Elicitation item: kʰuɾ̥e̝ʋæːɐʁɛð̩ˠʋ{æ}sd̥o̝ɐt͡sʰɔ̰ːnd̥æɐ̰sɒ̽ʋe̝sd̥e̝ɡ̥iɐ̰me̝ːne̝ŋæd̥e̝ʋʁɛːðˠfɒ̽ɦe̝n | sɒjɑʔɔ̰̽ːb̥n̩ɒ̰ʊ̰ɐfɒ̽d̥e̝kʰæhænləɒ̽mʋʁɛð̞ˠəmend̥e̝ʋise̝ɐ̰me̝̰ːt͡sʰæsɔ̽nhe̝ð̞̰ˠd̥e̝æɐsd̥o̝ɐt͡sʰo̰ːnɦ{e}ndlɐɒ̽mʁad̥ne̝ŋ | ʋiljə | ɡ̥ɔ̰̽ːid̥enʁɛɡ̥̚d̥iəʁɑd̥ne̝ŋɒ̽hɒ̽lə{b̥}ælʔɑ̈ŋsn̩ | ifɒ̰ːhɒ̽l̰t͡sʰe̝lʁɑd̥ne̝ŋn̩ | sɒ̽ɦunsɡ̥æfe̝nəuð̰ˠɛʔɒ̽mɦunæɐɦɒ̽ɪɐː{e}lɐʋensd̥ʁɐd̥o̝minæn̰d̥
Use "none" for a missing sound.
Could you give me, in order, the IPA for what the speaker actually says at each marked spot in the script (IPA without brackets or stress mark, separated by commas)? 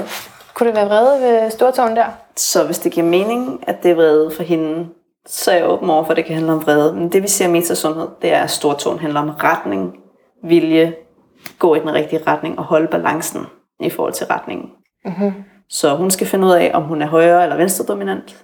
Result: e, æ, b̥, e